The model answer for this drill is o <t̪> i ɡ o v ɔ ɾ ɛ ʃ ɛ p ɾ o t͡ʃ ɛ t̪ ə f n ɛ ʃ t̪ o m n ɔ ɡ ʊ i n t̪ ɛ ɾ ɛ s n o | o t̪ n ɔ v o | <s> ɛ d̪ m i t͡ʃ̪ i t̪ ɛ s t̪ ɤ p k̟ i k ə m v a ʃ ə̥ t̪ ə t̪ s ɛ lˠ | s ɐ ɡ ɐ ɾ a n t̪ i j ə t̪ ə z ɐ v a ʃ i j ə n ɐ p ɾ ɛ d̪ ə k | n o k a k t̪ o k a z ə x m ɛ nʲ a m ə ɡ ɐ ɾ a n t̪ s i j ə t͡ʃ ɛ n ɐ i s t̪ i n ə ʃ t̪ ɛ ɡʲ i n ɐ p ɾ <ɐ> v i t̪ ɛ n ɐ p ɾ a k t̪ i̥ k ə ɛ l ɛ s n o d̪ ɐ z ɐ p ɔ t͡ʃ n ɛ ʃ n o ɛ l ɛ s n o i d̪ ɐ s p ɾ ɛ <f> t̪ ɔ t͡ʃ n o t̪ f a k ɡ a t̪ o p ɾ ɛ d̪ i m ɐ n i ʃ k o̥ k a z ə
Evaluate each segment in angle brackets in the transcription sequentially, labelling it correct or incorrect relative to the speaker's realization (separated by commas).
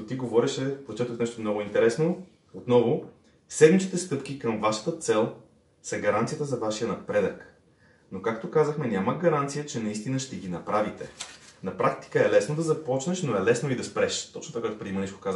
correct, correct, incorrect, incorrect